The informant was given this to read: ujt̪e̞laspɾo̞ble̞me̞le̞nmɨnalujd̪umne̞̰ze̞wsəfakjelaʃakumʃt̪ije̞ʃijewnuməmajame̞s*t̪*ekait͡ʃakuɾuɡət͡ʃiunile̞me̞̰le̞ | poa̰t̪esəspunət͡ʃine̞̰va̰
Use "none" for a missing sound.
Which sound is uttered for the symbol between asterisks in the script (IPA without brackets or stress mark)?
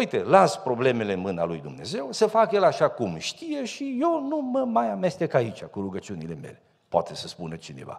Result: t̪